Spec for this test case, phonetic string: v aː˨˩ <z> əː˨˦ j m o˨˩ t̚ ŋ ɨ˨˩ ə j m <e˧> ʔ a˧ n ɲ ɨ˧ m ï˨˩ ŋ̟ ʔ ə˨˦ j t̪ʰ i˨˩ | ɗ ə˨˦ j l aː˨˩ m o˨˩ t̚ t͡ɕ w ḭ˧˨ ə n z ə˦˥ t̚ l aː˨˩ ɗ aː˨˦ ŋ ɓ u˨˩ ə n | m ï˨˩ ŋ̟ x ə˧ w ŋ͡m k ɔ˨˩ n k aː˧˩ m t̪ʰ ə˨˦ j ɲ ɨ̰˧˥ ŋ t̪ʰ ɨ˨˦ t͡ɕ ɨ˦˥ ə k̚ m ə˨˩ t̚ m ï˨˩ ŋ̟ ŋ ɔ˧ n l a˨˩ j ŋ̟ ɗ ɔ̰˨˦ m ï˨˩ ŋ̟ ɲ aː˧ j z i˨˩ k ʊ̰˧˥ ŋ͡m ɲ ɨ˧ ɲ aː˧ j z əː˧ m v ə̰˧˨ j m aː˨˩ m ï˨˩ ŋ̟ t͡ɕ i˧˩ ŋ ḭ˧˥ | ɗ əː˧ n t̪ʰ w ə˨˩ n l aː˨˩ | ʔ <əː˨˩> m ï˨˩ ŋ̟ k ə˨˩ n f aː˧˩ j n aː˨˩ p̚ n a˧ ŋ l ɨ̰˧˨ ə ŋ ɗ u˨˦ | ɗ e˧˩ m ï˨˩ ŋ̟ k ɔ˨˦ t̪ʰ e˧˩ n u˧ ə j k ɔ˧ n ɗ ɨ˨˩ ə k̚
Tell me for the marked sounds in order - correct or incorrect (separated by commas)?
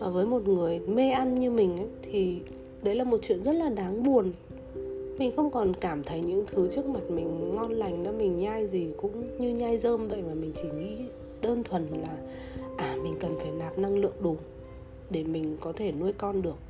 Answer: incorrect, correct, incorrect